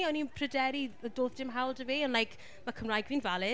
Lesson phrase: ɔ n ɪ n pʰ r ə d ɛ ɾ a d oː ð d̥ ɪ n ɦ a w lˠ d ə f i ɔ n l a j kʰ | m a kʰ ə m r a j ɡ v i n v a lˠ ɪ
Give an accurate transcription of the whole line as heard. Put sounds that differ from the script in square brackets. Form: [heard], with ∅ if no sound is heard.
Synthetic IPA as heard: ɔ n [i] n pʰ r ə d ɛ ɾ [i] d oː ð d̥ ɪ [m] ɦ a w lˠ d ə [v] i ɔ n l a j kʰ | m a kʰ ə m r a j ɡ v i n v a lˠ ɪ